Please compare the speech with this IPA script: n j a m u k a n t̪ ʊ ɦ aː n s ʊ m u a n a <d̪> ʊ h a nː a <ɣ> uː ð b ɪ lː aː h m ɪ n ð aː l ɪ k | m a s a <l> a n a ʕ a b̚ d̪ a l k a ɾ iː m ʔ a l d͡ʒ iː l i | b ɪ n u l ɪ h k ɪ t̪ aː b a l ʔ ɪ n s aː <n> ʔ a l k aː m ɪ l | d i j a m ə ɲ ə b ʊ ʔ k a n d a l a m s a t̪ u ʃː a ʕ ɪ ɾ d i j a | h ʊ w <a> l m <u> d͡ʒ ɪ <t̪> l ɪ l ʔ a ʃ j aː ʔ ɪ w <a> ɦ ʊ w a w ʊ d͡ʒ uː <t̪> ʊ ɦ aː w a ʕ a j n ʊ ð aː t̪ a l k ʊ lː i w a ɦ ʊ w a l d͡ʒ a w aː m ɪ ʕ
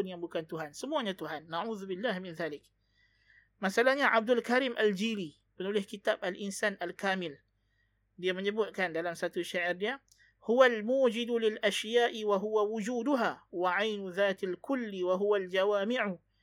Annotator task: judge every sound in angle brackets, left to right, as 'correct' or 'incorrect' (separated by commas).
incorrect, incorrect, correct, correct, correct, incorrect, incorrect, correct, incorrect